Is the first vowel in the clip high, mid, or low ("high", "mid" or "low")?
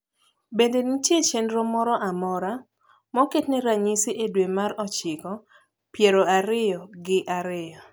mid